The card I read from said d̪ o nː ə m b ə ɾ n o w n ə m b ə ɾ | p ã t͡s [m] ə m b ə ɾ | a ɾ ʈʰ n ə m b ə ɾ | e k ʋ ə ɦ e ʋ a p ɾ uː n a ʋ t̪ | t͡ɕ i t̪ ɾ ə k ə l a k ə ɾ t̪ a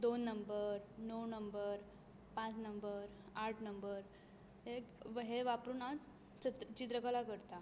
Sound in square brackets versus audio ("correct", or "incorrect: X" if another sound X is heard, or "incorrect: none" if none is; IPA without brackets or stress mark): incorrect: n